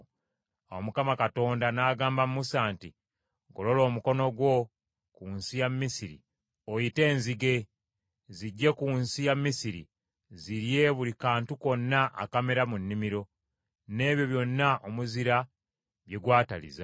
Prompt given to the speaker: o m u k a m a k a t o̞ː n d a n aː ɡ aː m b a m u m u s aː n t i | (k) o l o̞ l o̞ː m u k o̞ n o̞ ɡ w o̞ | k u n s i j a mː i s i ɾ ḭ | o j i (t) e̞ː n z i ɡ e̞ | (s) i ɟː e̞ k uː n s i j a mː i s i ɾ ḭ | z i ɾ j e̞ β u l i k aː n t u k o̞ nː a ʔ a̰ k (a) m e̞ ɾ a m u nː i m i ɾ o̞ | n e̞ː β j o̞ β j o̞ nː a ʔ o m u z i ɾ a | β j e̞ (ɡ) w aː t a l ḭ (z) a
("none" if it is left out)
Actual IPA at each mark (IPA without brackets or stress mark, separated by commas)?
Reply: ɡ, t, z, a, ɡ, z